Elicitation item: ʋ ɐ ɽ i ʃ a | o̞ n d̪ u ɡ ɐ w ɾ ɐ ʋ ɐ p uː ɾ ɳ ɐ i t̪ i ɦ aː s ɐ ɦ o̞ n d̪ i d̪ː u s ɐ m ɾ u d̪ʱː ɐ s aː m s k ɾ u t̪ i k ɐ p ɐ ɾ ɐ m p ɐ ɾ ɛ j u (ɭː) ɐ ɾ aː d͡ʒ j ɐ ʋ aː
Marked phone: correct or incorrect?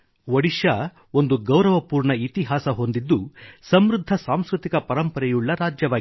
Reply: correct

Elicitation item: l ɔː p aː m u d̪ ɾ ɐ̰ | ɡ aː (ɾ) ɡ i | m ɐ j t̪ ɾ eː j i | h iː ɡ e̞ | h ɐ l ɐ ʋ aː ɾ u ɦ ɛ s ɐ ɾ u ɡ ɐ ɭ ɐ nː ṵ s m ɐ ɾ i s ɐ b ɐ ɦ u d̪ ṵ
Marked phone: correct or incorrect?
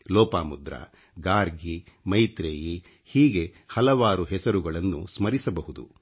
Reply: correct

